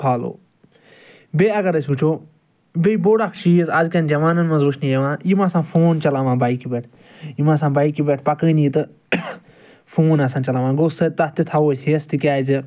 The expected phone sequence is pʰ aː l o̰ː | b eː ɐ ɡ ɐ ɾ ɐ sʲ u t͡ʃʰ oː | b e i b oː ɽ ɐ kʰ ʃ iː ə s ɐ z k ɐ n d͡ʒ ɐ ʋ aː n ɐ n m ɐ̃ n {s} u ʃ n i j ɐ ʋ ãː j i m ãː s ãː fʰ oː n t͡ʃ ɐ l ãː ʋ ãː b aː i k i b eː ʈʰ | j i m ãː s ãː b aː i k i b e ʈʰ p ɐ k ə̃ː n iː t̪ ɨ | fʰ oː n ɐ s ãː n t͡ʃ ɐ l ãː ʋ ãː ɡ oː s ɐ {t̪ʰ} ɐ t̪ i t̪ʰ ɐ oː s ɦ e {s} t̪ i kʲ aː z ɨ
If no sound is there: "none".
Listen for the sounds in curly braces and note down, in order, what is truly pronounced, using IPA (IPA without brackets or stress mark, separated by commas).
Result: z, t̪, s